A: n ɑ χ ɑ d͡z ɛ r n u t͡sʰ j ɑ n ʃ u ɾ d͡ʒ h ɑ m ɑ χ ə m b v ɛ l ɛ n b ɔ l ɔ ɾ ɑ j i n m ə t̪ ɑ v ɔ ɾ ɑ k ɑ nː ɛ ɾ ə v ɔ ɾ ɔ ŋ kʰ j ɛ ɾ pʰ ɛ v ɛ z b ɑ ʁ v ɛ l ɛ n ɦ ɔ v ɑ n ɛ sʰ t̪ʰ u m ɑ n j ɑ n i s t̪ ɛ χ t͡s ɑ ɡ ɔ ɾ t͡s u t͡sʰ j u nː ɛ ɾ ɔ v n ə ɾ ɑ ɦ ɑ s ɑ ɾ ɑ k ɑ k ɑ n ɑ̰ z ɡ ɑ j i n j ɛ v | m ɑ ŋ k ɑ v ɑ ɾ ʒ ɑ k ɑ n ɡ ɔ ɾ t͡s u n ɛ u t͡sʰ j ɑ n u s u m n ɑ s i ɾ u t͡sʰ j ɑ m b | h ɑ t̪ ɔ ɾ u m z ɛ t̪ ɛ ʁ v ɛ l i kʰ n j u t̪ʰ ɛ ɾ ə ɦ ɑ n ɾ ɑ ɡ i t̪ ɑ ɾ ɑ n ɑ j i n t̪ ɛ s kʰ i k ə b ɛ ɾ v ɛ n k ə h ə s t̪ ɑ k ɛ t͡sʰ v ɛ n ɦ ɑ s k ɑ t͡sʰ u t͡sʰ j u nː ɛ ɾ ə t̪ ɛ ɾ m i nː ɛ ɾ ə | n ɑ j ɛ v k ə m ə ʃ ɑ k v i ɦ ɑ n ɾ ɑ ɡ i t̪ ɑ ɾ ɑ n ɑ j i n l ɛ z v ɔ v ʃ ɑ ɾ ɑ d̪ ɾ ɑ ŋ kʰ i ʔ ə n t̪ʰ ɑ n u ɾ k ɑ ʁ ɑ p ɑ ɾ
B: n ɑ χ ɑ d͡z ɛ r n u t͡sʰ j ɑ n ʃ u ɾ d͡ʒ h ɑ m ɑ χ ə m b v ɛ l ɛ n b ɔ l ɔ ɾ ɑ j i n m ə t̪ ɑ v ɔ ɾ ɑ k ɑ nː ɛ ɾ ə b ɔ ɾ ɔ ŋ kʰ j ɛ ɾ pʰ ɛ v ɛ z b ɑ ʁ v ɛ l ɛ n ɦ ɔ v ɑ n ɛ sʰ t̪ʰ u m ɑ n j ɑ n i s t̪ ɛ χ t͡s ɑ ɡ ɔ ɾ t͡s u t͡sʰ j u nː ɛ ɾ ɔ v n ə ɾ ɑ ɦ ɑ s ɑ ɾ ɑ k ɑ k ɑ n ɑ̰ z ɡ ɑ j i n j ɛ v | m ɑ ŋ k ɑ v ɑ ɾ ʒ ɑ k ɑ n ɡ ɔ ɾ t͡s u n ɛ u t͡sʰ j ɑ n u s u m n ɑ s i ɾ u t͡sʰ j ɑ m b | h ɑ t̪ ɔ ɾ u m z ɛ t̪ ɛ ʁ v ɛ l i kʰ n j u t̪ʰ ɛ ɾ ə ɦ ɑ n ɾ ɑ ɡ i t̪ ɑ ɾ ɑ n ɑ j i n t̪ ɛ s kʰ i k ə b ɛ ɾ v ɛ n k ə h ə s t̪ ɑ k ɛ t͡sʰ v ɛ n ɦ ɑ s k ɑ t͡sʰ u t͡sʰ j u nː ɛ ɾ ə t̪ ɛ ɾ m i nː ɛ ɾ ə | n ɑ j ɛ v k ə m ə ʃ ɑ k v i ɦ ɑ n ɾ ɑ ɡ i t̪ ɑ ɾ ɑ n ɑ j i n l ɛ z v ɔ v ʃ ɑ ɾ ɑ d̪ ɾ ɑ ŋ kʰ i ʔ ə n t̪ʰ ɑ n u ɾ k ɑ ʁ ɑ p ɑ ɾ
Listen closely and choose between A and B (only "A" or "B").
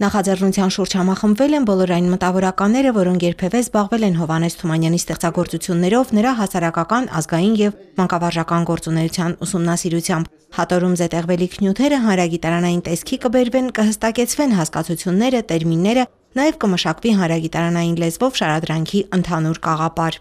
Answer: A